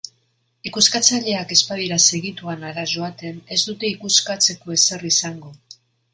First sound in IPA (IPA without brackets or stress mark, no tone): i